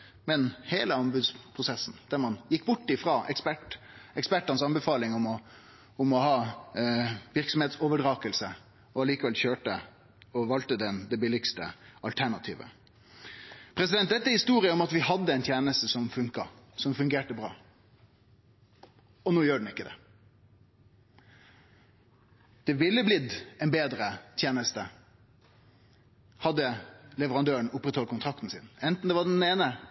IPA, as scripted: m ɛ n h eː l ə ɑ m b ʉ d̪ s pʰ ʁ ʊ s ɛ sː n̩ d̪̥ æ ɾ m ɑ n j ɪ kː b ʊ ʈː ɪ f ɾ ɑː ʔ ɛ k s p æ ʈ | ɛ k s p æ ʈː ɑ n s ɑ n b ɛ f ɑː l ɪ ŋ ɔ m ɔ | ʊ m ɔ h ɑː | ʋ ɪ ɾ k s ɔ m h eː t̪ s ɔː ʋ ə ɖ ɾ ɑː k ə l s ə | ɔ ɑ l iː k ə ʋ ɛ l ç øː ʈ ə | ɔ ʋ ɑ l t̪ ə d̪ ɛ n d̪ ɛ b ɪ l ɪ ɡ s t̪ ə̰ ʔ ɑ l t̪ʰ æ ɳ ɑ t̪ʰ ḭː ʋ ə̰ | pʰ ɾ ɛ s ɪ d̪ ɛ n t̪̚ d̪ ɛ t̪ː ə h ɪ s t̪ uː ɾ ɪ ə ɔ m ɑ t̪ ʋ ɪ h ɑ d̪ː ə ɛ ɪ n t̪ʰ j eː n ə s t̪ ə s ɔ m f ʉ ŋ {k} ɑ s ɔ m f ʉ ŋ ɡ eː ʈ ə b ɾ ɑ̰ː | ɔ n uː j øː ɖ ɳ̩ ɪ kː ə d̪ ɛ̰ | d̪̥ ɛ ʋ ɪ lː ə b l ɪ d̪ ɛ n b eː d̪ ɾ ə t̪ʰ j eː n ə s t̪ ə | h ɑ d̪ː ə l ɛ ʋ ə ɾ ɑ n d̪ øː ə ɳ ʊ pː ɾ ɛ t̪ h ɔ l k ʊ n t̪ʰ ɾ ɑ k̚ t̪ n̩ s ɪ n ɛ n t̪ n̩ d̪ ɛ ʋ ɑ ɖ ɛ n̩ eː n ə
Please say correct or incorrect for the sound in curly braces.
correct